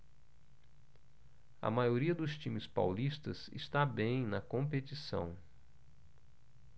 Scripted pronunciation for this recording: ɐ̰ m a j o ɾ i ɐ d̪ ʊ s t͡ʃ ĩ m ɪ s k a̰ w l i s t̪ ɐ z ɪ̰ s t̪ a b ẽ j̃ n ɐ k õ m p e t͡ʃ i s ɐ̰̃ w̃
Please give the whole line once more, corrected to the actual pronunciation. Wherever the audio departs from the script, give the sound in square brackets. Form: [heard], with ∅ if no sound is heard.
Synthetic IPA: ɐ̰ m a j o ɾ i ɐ d̪ ʊ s t͡ʃ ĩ m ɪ s [p] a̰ w l i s t̪ ɐ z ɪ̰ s t̪ a b ẽ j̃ n ɐ k õ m p e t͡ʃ i s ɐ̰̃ w̃